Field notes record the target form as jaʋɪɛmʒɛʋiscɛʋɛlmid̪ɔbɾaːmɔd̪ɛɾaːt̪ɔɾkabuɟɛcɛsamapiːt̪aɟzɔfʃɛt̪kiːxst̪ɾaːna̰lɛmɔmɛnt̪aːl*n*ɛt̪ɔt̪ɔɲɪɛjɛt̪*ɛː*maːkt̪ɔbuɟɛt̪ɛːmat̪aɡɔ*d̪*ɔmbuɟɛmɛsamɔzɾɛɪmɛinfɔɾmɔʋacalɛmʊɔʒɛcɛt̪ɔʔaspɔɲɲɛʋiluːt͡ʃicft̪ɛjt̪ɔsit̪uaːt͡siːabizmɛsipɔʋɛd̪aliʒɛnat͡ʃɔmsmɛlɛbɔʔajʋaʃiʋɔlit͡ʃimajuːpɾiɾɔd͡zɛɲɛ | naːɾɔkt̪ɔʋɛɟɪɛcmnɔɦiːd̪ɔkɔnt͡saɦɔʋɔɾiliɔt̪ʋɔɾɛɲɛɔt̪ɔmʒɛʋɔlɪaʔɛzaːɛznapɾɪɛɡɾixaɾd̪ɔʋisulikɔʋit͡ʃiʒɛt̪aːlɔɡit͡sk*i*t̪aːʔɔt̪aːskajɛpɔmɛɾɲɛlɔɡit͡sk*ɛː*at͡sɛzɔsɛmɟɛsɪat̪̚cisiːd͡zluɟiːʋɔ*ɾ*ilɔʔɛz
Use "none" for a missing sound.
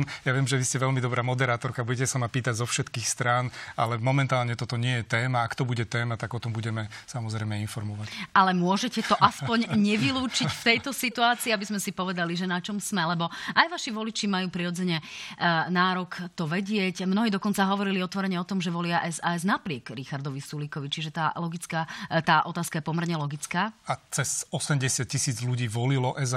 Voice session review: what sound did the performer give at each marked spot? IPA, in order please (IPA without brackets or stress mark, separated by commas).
ɲ, ɛː, t̪, a, aː, l